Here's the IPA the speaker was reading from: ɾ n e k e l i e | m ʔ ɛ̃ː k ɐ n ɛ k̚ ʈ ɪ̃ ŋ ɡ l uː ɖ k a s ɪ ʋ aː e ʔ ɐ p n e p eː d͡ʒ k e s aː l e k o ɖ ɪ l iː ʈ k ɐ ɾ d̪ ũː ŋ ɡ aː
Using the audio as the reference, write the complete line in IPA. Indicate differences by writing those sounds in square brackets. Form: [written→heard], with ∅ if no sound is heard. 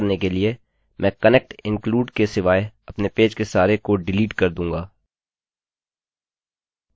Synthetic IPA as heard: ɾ n e k e l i e | m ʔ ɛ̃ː k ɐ n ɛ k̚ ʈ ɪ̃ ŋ [ɡ→k] l uː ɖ k [a→e] s ɪ ʋ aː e [ʔ→∅] ɐ p n e p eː d͡ʒ k e s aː [l→ɾ] e k o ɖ ɪ l iː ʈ k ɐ ɾ d̪ ũː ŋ ɡ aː